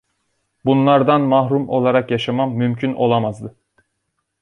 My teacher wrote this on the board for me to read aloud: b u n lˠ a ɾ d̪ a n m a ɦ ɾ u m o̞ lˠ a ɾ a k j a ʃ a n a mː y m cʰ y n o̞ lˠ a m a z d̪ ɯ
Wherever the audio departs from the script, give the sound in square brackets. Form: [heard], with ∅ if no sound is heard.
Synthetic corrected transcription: b u n lˠ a ɾ d̪ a n m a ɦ ɾ u m o̞ lˠ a ɾ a k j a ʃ a [m] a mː y m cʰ y n o̞ lˠ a m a z d̪ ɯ